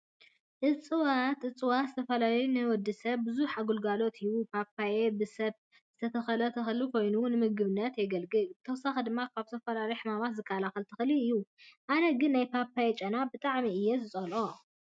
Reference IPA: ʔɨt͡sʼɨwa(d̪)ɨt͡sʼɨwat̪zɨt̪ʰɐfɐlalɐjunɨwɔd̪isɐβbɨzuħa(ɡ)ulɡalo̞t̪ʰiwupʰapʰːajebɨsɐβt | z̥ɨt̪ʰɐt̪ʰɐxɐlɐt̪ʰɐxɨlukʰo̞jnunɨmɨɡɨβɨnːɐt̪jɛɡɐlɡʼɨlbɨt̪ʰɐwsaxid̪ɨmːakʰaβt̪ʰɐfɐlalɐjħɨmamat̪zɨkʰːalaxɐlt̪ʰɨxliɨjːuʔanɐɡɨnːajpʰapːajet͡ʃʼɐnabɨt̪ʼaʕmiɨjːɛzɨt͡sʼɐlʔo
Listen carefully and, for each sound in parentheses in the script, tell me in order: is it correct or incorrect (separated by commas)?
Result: incorrect, correct